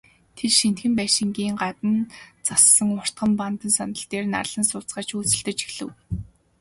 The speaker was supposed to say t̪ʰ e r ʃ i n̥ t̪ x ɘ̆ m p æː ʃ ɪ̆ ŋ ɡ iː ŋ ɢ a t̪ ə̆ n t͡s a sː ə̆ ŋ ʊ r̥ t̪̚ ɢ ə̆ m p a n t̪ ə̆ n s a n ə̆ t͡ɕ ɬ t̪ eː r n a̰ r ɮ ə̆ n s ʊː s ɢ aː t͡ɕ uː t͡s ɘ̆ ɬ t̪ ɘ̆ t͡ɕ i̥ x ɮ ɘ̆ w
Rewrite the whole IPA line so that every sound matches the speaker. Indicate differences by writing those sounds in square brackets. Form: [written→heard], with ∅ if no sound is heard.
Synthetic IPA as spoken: t̪ʰ e r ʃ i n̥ t̪ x ɘ̆ m p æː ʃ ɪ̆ ŋ ɡ iː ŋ ɢ a t̪ ə̆ n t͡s a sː ə̆ ŋ ʊ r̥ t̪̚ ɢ ə̆ m p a n t̪ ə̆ n s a n ə̆ [t͡ɕ→∅] ɬ t̪ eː r n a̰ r ɮ ə̆ n s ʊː [s→t͡s] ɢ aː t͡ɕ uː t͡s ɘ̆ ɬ t̪ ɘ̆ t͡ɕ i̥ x ɮ ɘ̆ w